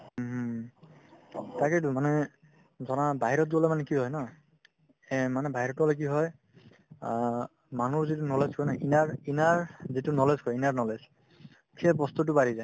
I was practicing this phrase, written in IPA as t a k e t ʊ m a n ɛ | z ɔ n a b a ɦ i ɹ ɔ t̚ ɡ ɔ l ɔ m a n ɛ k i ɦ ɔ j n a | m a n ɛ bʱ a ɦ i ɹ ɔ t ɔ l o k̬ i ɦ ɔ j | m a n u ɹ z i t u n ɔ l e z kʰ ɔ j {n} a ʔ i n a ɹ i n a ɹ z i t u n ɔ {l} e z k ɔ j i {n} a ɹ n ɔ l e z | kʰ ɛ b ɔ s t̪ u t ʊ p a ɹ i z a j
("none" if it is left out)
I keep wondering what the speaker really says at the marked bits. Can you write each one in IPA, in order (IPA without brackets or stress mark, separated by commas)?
n, l, n